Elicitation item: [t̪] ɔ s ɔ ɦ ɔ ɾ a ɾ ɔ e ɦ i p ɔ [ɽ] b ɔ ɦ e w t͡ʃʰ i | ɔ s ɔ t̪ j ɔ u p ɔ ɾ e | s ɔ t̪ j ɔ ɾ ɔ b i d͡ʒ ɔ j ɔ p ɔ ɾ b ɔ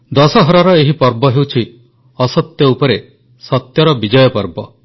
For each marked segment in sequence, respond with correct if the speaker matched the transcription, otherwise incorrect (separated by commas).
incorrect, incorrect